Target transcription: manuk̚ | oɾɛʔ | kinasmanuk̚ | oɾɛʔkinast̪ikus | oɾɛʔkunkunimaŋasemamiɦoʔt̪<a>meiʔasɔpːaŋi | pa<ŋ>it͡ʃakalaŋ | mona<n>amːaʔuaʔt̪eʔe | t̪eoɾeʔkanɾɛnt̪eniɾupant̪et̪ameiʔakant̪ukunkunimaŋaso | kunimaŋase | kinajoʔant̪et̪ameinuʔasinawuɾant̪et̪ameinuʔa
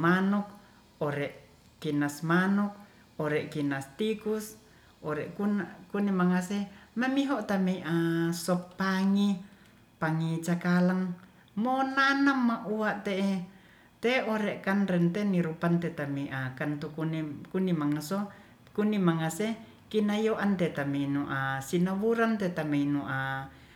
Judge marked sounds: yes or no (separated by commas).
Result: yes, yes, yes